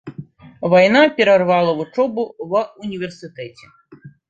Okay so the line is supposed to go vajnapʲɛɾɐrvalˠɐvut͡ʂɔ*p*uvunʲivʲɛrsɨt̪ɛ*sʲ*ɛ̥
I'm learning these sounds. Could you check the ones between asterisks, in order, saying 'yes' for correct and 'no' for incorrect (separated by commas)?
no, no